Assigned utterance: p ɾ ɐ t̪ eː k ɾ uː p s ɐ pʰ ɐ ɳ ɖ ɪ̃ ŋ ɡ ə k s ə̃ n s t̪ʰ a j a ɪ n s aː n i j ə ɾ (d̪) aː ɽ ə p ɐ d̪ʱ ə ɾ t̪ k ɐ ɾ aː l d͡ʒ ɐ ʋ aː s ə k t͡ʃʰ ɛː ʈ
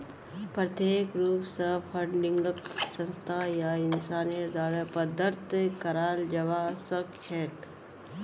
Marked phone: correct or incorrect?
correct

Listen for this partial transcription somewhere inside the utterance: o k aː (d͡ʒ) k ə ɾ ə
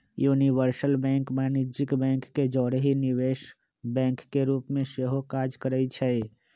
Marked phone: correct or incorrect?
correct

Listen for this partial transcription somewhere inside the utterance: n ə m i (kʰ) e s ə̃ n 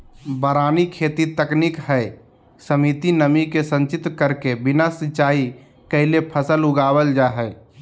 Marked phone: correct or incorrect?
incorrect: k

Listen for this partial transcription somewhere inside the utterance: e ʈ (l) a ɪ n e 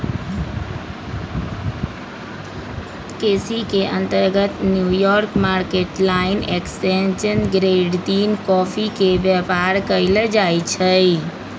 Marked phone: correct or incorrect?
correct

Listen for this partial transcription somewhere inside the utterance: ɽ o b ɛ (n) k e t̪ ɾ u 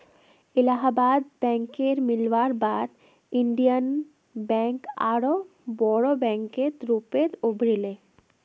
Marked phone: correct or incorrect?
incorrect: ŋ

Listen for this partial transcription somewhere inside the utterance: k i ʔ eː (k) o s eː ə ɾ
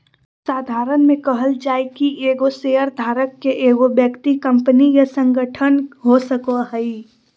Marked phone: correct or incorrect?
incorrect: ɡ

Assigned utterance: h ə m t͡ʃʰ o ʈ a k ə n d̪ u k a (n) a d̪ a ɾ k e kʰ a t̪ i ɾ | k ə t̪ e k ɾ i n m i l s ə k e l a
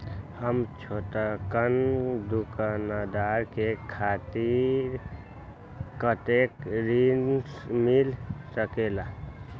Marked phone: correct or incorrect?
correct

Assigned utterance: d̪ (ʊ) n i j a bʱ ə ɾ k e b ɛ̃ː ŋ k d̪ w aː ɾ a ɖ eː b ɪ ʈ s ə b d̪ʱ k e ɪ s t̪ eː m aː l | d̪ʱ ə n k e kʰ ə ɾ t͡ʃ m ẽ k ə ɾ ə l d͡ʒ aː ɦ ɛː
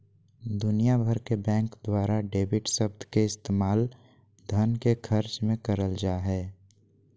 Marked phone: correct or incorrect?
correct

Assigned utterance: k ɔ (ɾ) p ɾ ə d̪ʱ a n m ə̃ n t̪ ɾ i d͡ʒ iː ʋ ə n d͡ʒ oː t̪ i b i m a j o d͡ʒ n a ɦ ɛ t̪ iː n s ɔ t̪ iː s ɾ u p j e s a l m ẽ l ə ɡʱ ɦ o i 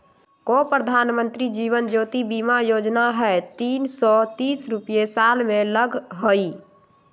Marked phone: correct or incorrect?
incorrect: none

